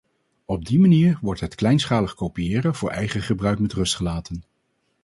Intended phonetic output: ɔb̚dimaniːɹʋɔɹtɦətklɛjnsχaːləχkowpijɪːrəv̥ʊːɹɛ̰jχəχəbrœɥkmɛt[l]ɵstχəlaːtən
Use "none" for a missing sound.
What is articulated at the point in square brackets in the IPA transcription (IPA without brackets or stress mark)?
r